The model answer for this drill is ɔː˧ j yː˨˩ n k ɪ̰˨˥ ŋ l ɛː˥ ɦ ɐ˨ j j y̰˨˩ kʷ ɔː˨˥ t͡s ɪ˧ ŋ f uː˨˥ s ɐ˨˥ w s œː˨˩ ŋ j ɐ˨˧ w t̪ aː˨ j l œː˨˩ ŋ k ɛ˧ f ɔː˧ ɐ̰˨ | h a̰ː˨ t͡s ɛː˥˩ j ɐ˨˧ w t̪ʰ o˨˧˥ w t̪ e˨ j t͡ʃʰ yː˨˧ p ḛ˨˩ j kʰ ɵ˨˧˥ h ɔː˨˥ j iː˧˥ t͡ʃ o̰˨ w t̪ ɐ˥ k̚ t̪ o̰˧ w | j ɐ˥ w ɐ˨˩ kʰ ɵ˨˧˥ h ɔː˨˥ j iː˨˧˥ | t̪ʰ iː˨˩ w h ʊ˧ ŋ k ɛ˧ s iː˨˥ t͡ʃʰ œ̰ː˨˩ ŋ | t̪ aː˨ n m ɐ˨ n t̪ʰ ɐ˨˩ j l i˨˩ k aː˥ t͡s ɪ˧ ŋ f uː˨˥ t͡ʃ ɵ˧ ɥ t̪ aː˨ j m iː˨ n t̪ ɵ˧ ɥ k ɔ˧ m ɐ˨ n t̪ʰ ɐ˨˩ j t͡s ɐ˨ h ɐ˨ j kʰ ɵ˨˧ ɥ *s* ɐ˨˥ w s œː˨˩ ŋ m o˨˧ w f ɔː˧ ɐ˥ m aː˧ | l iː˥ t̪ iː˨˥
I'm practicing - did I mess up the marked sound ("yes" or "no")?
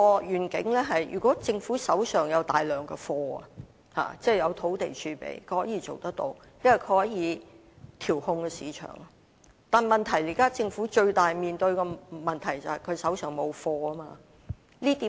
no